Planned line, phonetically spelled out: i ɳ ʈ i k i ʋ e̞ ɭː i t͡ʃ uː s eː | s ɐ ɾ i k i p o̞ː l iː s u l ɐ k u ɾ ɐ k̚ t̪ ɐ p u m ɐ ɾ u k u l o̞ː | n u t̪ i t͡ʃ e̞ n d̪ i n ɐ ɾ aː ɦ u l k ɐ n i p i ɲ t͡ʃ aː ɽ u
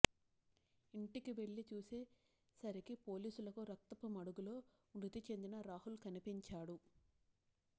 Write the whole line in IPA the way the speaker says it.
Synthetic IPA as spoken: i ɳ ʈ i k i ʋ e̞ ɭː i t͡ʃ uː s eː | s ɐ ɾ i k i p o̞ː l iː s u l ɐ k u ɾ ɐ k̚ t̪ ɐ p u m ɐ ɽ u ɡ u l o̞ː | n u t̪ i t͡ʃ e̞ n d̪ i n ɐ ɾ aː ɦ u l k ɐ n i p i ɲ t͡ʃ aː ɽ u

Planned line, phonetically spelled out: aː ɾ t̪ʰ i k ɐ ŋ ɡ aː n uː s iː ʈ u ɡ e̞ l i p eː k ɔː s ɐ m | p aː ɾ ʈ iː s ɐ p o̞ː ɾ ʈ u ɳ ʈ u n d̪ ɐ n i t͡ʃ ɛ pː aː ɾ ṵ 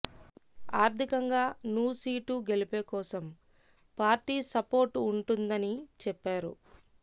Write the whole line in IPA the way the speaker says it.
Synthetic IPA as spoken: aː ɾ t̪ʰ i k ɐ ŋ ɡ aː n uː s iː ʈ u ɡ e̞ l i p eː k ɔː s ɐ m | p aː ɾ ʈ iː s ɐ p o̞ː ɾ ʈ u ɳ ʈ u n d̪ ɐ n i t͡ʃ ɛ pː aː ɾ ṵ

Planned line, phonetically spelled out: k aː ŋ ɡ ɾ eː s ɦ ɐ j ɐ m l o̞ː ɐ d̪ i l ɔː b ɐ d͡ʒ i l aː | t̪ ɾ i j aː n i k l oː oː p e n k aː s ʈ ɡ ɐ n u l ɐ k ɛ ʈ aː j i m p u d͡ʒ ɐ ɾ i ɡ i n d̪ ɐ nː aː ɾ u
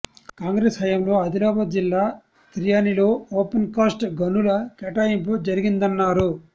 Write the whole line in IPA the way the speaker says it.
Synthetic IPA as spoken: k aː ŋ ɡ ɾ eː s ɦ ɐ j ɐ m l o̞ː ɐ d̪ i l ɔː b ɐ d͡ʒ i lː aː | t̪ ɾ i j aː n i l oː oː p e n k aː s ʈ ɡ ɐ n u l ɐ k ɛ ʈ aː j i m p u d͡ʒ ɐ ɾ i ɡ i n d̪ ɐ nː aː ɾ u

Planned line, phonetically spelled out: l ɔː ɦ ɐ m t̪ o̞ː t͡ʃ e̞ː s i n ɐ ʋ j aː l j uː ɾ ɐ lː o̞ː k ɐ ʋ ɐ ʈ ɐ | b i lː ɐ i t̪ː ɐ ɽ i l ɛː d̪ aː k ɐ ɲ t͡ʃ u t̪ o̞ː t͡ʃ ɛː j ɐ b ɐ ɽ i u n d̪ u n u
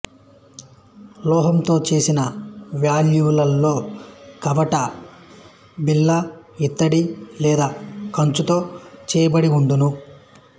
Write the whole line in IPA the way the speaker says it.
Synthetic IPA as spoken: l ɔː ɦ ɐ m t̪ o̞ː t͡ʃ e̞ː s i n ɐ ʋ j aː l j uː l ɐ lː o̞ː k ɐ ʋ ɐ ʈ ɐ | b i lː ɐ i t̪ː ɐ ɽ i l ɛː d̪ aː k ɐ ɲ t͡ʃ u t̪ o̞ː t͡ʃ ɛː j ɐ b ɐ ɽ i u n d̪ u n u

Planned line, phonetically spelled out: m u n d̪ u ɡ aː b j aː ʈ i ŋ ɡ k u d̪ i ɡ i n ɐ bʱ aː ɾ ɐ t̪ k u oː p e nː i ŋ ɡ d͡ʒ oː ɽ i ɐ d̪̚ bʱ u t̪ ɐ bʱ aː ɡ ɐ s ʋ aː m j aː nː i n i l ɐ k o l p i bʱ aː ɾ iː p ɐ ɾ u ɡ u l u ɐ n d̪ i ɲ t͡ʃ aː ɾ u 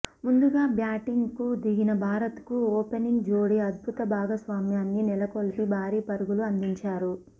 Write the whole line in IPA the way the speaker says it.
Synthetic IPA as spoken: m u n d̪ u ɡ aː b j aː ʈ i ŋ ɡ k u d̪ i ɡ i n ɐ bʱ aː ɾ ɐ t̪ k u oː p e n i ŋ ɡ d͡ʒ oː ɽ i ɐ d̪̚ bʱ u t̪ ɐ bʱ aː ɡ ɐ s ʋ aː m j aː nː i n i l ɐ k o l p i bʱ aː ɾ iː p ɐ ɾ u ɡ u l u ɐ n d̪ i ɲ t͡ʃ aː ɾ u

